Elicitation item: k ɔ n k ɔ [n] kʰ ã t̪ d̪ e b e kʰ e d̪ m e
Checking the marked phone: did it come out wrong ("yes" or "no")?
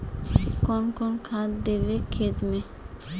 no